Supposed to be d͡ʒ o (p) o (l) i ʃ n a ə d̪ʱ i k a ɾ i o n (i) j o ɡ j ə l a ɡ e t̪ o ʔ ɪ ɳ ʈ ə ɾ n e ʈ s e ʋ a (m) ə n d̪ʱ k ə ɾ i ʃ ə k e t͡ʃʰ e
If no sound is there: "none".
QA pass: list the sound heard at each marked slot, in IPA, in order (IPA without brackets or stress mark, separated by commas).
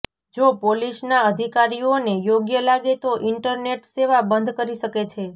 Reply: p, l, e, b